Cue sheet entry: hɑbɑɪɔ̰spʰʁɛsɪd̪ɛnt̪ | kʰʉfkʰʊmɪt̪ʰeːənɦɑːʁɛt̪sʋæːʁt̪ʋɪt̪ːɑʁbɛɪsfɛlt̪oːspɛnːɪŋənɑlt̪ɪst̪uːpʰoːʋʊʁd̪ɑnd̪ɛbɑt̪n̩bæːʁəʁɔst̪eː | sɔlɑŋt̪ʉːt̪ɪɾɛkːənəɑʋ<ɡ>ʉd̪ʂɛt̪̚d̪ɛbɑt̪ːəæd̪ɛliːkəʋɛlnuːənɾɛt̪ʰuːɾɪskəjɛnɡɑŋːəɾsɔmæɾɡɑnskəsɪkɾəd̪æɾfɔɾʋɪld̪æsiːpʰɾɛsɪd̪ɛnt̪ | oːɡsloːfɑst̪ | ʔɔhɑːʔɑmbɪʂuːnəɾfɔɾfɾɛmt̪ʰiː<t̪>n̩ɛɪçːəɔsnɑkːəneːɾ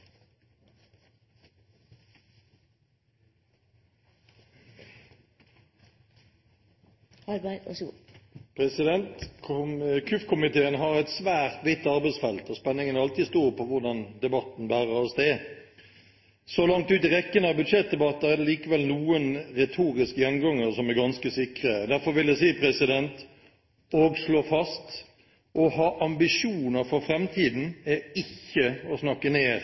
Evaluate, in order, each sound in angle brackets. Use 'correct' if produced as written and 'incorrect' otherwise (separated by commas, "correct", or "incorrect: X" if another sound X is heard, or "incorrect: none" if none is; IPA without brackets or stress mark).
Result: incorrect: b, incorrect: d̪